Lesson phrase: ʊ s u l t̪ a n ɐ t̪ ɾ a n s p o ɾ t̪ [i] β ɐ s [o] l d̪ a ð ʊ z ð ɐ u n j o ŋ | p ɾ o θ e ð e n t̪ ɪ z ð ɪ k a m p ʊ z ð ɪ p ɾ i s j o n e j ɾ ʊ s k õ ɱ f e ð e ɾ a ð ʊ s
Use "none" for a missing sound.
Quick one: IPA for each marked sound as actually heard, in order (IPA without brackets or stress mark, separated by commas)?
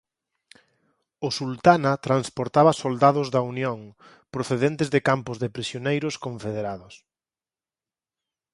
a, o